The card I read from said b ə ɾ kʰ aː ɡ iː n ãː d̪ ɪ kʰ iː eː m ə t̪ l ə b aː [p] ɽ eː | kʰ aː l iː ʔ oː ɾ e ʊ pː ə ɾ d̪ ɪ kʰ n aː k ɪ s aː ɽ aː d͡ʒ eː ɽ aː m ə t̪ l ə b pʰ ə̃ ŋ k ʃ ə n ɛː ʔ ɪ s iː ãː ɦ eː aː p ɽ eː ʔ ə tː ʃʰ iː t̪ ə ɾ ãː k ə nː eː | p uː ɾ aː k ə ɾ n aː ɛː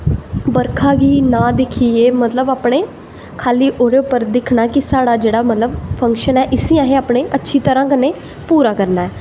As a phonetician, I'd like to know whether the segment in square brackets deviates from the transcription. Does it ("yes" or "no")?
no